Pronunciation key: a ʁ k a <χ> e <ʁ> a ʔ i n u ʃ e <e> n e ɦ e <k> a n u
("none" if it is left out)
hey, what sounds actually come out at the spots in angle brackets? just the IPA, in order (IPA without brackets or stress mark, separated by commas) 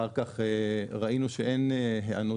χ, ʁ, e, none